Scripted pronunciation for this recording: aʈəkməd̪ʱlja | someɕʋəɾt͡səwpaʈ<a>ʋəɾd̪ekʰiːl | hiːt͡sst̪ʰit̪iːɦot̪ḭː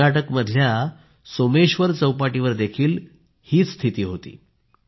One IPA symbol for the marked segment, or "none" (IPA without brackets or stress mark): i